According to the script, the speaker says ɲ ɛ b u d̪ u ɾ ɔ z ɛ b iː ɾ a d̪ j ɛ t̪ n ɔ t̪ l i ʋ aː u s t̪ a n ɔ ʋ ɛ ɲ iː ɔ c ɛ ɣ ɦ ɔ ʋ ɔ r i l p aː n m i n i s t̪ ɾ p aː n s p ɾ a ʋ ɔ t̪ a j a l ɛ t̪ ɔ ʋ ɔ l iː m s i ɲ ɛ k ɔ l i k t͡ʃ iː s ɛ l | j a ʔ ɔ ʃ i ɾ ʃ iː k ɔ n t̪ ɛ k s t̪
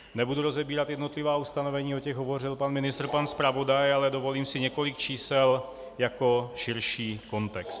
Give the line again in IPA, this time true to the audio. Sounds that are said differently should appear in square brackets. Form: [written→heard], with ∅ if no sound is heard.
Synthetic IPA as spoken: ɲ ɛ b u d̪ u ɾ ɔ z ɛ b iː ɾ a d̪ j ɛ [t̪→d̪] n ɔ t̪ l i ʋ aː u s t̪ a n ɔ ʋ ɛ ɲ iː ɔ c ɛ ɣ ɦ ɔ ʋ ɔ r i l p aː n m i n i s t̪ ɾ p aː n s p ɾ a ʋ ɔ [t̪→d̪] a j a l ɛ [t̪→d̪] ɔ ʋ ɔ l iː m s i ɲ ɛ k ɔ l i k t͡ʃ iː s ɛ l | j a [ʔ→k] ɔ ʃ i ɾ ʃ iː k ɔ n t̪ ɛ k s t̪

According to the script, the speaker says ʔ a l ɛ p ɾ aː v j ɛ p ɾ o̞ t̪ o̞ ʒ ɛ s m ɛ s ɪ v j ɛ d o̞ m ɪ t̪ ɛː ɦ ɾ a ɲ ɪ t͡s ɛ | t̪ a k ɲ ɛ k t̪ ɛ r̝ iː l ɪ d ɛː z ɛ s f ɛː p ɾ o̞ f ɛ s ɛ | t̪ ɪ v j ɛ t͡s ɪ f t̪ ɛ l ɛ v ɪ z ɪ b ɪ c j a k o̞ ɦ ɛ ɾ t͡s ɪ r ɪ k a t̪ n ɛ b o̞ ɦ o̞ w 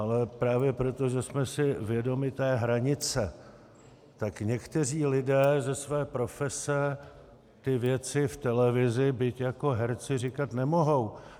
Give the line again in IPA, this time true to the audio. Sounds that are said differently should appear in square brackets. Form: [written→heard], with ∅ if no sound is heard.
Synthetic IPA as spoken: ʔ a l ɛ p ɾ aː v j ɛ p ɾ o̞ t̪ o̞ ʒ ɛ s m ɛ s ɪ v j ɛ d o̞ m ɪ t̪ ɛː ɦ ɾ a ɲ ɪ t͡s ɛ | t̪ a k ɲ ɛ k t̪ ɛ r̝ iː l ɪ d ɛː z ɛ s [f→v] ɛː p ɾ o̞ f ɛ s ɛ | t̪ ɪ v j ɛ t͡s ɪ f t̪ ɛ l ɛ v ɪ z ɪ b ɪ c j a k o̞ ɦ ɛ ɾ t͡s ɪ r ɪ k a t̪ n ɛ [b→m] o̞ ɦ o̞ w

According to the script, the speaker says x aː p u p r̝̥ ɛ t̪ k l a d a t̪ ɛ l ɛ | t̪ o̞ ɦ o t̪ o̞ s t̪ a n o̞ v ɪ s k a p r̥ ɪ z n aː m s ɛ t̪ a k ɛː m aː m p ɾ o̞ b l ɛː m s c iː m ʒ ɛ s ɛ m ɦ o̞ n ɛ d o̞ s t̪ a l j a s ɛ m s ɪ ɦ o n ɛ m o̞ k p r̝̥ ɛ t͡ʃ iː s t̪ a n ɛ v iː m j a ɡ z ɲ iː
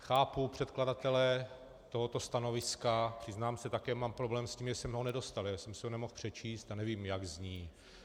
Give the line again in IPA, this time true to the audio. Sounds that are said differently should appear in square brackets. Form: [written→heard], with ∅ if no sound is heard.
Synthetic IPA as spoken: x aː p u p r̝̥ ɛ t̪ k l a d a t̪ ɛ l ɛ | t̪ o̞ ɦ o t̪ o̞ s t̪ a n o̞ v ɪ s k a p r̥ ɪ z n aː m s ɛ t̪ a k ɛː m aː m p ɾ o̞ b l ɛː m s c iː m ʒ ɛ s ɛ m ɦ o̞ n ɛ d o̞ s t̪ a l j a s ɛ m s ɪ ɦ o n ɛ m o̞ [k→x] p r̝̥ ɛ t͡ʃ iː s t̪ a n ɛ v iː m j a ɡ z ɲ iː

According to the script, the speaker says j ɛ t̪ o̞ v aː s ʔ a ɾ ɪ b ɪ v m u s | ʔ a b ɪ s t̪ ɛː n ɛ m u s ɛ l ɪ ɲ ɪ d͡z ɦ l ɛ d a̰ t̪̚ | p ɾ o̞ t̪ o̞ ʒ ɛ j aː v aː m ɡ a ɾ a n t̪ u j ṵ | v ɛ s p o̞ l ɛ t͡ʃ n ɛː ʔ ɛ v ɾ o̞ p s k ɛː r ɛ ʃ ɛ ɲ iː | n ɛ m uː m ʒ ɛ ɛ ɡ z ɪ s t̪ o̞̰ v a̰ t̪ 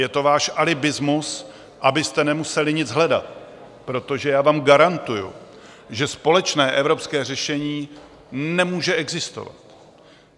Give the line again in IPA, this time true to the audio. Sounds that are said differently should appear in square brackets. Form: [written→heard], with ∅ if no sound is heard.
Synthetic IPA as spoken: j ɛ t̪ o̞ v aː [s→ʃ] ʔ a [ɾ→l] ɪ b ɪ [v→z] m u s | ʔ a b ɪ s t̪ [ɛː→ɛ] n ɛ m u s ɛ l ɪ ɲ ɪ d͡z ɦ l ɛ d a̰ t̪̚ | p ɾ o̞ t̪ o̞ ʒ ɛ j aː v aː m ɡ a ɾ a n t̪ u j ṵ | [v→ʒ] ɛ s p o̞ l ɛ t͡ʃ n ɛː ʔ ɛ v ɾ o̞ p s k ɛː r ɛ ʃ ɛ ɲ iː | n ɛ m uː [m→∅] ʒ ɛ ɛ ɡ z ɪ s t̪ o̞̰ v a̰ t̪

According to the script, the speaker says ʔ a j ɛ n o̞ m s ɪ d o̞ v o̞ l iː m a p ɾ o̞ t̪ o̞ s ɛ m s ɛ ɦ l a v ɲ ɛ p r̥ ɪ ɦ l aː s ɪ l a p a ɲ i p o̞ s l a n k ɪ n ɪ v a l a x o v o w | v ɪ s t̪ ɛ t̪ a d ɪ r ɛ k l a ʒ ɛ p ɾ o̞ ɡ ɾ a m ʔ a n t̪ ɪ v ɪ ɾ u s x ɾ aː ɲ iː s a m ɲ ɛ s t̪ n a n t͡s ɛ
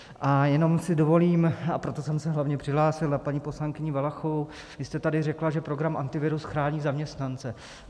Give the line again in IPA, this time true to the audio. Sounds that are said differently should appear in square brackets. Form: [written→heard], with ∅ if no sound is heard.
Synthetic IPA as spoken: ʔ a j ɛ n o̞ m s ɪ d o̞ v o̞ l iː m a p ɾ o̞ t̪ o̞ s ɛ m s ɛ ɦ l a v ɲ ɛ p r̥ ɪ ɦ l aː s ɪ l a p a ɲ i p o̞ s l a [n→ŋ] k ɪ [n→ɲ] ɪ v a l a x o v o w | v ɪ s t̪ ɛ t̪ a d ɪ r ɛ k l a ʒ ɛ p ɾ o̞ ɡ ɾ a m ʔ a n t̪ ɪ v ɪ ɾ u s x ɾ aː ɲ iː [s→z] a m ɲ ɛ s t̪ n a n t͡s ɛ

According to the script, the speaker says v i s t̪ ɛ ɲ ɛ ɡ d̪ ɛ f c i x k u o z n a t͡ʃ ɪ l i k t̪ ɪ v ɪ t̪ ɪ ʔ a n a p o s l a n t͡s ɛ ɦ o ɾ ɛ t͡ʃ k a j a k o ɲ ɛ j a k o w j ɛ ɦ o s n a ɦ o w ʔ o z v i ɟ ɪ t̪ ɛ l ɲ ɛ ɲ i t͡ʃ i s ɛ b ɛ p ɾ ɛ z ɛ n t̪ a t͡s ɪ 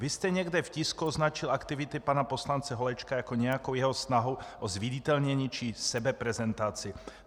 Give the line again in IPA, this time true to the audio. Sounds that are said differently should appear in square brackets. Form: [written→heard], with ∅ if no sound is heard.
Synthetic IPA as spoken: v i s t̪ ɛ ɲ ɛ ɡ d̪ ɛ f c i [x→s] k u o z n a t͡ʃ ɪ l [i→a] k t̪ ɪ v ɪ t̪ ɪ [ʔ→p] a n a p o s l a n t͡s ɛ ɦ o [ɾ→l] ɛ t͡ʃ k a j a k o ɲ ɛ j a k o w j ɛ ɦ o s n a ɦ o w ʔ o z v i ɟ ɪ t̪ ɛ l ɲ ɛ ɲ i t͡ʃ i s ɛ b ɛ p ɾ ɛ z ɛ n t̪ a t͡s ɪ

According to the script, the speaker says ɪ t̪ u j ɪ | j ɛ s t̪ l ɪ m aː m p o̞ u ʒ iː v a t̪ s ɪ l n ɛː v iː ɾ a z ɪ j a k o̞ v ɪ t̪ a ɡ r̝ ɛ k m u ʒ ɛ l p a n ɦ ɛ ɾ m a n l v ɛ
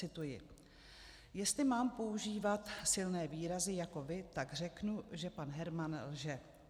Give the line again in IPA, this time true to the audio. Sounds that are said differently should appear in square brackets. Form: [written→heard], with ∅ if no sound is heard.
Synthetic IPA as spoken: ɪ t̪ u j ɪ | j ɛ s t̪ l ɪ m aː m p o̞ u ʒ iː v a t̪ s ɪ l n ɛː v iː ɾ a z ɪ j a k o̞ v ɪ t̪ a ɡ r̝ ɛ k [m→n] u ʒ ɛ [l→∅] p a n ɦ ɛ ɾ m a n l [v→ʒ] ɛ

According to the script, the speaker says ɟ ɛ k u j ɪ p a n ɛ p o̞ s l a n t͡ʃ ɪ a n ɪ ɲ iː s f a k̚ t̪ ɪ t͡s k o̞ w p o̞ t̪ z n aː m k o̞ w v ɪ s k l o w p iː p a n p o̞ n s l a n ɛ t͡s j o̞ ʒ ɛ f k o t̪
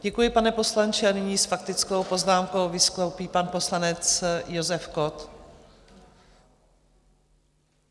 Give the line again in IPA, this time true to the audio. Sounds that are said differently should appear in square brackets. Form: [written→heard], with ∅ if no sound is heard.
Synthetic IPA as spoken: ɟ ɛ k u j ɪ p a n ɛ p o̞ s l a n t͡ʃ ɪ a n ɪ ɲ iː s f a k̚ t̪ ɪ t͡s k o̞ w p o̞ [t̪→∅] z n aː m k o̞ w v ɪ s k l o w p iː p a n p o̞ [n→∅] s l a n ɛ t͡s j o̞ [ʒ→z] ɛ f k o t̪

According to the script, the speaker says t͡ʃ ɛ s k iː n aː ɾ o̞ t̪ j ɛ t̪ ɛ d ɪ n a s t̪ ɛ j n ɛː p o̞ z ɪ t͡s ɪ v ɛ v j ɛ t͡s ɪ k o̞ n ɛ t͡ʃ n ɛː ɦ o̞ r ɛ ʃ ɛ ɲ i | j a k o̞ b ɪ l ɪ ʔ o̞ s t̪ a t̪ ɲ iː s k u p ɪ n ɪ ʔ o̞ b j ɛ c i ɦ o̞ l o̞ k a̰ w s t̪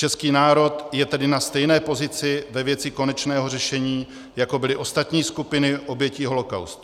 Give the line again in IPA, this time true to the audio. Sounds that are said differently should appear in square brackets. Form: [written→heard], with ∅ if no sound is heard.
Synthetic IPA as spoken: t͡ʃ ɛ s k iː n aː ɾ o̞ t̪ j ɛ t̪ ɛ d ɪ n a s t̪ ɛ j n ɛː p o̞ z ɪ t͡s ɪ v ɛ v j ɛ t͡s ɪ k o̞ n ɛ t͡ʃ n ɛː ɦ o̞ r ɛ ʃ ɛ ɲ [i→iː] | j a k o̞ b ɪ l ɪ ʔ o̞ s t̪ a t̪ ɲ iː s k u p ɪ n ɪ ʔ o̞ b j ɛ c i ɦ o̞ l o̞ k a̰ w s t̪

